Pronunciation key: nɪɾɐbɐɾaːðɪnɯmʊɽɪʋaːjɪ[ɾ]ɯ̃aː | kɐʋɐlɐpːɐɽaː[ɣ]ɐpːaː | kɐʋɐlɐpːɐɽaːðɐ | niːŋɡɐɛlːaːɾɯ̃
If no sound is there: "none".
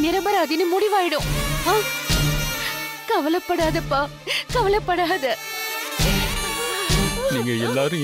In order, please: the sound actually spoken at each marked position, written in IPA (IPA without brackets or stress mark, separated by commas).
ɽ, ð